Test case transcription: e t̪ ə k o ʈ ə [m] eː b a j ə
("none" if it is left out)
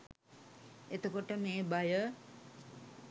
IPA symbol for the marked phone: m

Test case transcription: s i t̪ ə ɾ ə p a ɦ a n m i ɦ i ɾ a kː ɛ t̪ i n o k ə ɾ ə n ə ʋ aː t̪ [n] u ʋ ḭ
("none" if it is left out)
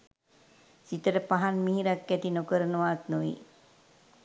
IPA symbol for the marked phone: n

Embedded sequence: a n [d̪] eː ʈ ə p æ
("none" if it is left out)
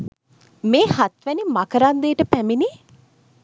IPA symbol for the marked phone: d̪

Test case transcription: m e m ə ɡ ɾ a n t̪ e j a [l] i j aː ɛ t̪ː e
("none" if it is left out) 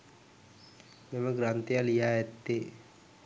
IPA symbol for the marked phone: l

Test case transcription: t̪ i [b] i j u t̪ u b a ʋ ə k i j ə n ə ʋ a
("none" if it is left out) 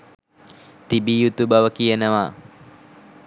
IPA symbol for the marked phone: b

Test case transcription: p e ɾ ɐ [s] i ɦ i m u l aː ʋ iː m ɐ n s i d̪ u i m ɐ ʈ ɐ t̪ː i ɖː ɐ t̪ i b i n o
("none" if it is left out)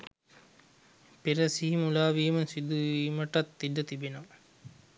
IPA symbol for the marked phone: s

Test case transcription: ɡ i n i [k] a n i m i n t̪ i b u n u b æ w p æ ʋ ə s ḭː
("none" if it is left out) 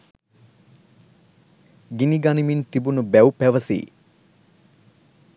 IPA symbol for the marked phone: ɡ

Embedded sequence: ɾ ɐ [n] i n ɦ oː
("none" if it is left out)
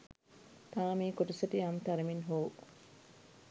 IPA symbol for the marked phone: m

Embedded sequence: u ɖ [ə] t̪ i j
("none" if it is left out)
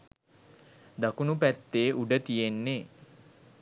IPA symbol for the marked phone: ə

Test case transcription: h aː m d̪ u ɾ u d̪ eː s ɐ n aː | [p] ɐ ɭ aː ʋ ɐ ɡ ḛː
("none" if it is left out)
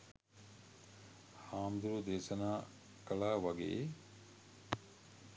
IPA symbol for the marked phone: k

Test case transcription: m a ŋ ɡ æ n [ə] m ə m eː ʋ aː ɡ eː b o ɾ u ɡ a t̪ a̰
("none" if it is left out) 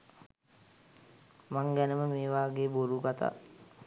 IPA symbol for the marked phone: ə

